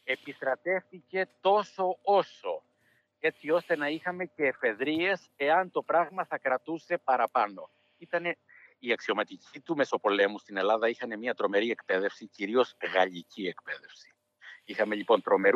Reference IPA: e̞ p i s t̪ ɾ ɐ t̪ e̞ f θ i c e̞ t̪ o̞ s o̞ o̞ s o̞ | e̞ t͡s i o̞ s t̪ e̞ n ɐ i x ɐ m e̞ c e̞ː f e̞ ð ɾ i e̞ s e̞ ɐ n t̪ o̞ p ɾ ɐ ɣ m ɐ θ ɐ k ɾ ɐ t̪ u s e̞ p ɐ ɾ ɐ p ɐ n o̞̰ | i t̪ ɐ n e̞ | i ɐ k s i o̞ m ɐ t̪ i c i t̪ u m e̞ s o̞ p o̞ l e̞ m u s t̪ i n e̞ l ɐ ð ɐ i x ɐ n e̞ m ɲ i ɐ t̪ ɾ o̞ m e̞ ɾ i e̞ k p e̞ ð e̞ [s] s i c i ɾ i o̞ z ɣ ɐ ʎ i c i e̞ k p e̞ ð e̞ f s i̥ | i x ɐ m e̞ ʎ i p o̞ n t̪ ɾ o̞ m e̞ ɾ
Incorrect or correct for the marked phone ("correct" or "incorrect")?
incorrect